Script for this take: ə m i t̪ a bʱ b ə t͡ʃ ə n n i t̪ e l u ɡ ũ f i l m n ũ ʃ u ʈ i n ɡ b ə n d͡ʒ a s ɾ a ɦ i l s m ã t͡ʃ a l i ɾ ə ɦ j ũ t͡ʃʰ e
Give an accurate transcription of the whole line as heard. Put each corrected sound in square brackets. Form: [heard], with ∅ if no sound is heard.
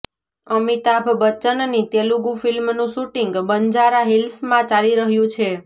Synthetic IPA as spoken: ə m i t̪ a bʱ b ə t͡ʃ ə n n i t̪ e l u ɡ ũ f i l m n ũ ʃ u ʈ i [ŋ] ɡ b ə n d͡ʒ a [∅] ɾ a ɦ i l s m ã t͡ʃ a l i ɾ ə ɦ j ũ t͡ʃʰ e